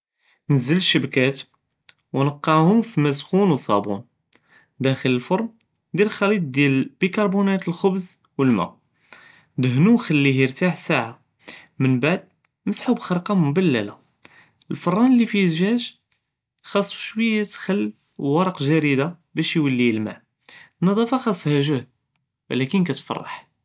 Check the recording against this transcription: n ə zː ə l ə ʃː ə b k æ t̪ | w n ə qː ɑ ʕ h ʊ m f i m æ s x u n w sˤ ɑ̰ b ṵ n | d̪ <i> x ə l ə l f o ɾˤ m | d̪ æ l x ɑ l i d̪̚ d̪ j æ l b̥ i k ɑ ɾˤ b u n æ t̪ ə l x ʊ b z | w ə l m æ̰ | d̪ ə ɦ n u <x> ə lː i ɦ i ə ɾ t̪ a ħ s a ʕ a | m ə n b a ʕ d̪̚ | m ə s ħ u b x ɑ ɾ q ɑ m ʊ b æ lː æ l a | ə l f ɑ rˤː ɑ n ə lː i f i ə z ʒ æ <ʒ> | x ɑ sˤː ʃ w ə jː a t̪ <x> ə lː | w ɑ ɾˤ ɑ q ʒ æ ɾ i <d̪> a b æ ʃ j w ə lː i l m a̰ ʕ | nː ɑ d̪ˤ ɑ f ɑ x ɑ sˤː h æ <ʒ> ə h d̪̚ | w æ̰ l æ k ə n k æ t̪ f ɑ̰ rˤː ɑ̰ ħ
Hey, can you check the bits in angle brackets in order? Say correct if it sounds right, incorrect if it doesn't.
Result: incorrect, correct, correct, correct, correct, correct

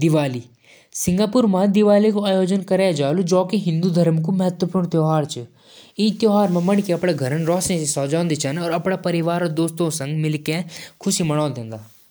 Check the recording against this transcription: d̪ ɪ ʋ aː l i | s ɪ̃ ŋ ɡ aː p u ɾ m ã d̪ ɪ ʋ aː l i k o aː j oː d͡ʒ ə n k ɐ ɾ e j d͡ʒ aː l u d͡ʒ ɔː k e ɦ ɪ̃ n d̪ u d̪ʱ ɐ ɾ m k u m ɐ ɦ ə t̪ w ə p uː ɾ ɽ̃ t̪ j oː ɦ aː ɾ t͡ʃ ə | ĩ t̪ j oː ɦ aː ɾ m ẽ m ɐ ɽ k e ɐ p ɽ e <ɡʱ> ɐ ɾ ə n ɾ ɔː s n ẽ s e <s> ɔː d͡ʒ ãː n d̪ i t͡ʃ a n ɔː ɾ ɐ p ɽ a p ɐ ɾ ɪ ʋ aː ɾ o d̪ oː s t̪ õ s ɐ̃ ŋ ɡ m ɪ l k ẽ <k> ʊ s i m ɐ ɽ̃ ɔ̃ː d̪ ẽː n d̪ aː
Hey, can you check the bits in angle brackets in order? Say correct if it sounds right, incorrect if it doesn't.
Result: correct, correct, incorrect

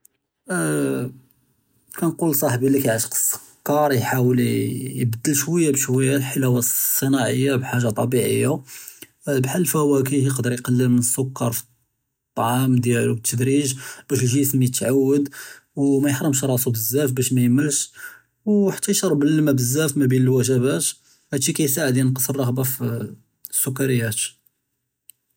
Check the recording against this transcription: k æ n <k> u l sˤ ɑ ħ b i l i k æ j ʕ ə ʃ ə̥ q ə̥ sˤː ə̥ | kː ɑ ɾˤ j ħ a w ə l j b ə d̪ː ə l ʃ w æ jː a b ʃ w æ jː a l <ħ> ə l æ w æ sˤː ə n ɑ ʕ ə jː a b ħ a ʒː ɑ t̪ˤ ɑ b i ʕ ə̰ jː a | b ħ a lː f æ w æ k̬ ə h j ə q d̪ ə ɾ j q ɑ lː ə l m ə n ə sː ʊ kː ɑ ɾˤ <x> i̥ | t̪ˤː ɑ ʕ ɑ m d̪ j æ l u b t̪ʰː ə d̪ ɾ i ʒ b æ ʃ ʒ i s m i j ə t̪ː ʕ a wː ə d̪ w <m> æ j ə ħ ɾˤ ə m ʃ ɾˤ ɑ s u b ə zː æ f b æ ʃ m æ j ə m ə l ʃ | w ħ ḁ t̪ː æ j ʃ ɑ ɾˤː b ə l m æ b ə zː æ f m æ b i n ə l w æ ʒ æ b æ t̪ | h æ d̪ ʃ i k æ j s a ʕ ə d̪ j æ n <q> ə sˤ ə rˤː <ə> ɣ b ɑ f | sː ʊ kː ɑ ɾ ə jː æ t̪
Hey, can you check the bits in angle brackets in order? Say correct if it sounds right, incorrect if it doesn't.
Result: incorrect, correct, incorrect, correct, correct, incorrect

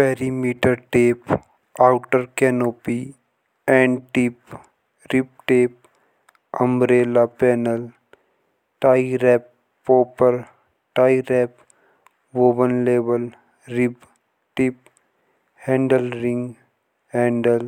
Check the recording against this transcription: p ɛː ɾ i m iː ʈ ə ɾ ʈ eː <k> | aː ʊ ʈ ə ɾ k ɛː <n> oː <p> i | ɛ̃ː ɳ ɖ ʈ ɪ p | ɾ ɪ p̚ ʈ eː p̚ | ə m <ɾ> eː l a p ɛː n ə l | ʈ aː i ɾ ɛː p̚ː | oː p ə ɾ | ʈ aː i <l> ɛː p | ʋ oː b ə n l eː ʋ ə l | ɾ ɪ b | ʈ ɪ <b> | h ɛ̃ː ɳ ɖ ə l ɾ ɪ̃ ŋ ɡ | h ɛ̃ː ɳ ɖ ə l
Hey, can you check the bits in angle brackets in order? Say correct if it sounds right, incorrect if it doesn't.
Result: incorrect, correct, correct, correct, incorrect, incorrect

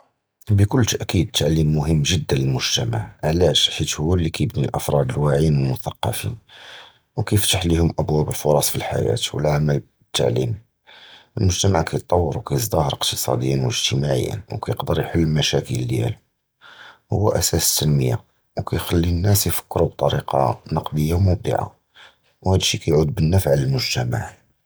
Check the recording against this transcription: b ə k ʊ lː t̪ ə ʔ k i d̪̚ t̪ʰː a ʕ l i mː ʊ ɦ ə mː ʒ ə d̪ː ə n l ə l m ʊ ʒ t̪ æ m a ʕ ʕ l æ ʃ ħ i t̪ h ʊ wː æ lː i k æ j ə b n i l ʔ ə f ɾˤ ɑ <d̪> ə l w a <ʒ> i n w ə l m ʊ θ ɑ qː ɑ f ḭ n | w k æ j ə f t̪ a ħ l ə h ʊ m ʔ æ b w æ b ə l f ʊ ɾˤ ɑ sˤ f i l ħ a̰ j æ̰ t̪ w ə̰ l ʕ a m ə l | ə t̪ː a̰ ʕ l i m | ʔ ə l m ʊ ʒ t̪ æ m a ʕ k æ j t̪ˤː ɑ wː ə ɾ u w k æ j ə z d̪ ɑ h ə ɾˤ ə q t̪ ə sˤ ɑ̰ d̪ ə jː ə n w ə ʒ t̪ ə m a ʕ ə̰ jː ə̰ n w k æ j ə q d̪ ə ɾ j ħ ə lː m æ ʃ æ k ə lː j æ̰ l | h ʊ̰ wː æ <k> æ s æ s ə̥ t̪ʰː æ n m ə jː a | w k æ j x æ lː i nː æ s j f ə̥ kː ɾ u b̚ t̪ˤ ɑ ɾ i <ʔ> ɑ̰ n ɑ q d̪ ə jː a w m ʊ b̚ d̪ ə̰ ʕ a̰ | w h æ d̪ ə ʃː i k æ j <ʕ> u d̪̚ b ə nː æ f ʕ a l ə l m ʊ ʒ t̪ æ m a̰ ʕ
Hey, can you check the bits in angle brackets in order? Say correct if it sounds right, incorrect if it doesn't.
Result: correct, incorrect, incorrect, incorrect, correct

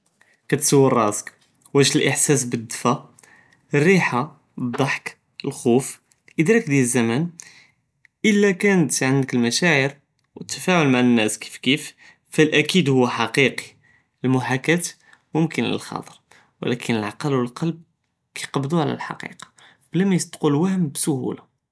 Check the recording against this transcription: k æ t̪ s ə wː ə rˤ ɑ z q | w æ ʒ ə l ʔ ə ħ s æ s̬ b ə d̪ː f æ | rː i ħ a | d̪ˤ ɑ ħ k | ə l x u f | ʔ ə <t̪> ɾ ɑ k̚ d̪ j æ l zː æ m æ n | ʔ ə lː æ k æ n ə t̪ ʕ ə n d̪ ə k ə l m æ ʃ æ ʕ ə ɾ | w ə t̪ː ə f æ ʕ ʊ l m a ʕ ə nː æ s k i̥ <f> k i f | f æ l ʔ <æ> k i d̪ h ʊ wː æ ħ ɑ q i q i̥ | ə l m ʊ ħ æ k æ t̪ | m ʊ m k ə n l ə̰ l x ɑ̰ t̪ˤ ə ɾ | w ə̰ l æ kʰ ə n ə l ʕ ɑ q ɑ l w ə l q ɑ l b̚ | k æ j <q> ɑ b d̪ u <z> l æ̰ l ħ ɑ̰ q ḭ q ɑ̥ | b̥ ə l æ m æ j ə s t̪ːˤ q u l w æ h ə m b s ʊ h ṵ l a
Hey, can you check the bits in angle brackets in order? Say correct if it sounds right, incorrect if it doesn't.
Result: incorrect, correct, correct, correct, incorrect

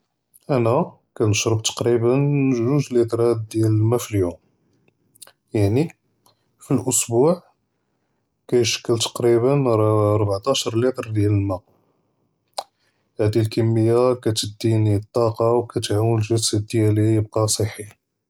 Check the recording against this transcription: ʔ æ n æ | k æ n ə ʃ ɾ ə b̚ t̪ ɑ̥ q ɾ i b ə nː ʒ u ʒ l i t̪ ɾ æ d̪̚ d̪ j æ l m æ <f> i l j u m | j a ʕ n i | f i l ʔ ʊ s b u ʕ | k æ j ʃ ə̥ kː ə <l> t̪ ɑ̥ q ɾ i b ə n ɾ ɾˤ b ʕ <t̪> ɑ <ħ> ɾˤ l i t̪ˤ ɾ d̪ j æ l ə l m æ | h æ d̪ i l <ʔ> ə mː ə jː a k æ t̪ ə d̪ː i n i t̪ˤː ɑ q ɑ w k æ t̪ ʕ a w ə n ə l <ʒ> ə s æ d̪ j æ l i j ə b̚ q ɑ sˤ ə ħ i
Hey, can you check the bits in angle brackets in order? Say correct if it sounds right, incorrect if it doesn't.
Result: correct, correct, correct, incorrect, incorrect, correct

